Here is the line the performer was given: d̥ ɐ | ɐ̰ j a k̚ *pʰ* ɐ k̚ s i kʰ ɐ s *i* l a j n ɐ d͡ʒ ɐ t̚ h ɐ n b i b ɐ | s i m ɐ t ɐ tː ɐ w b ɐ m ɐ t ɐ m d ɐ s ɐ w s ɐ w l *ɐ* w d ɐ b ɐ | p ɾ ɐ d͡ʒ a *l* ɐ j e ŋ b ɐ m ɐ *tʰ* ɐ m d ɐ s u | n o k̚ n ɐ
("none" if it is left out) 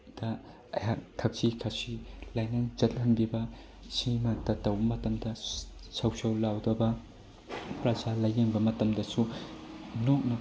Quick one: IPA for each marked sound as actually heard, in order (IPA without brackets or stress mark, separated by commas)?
tʰ, i, a, l, t